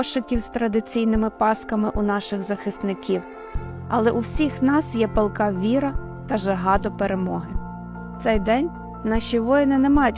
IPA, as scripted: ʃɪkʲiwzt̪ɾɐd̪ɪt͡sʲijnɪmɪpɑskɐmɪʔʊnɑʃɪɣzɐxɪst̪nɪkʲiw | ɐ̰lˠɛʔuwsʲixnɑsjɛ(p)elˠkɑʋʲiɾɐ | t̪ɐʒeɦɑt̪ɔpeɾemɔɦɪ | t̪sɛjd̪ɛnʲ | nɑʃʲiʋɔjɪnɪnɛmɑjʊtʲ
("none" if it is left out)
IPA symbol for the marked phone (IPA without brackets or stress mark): p